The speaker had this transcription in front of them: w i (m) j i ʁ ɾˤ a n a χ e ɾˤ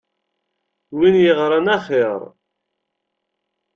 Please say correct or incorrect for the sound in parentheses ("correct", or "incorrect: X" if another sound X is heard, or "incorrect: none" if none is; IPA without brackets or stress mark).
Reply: incorrect: n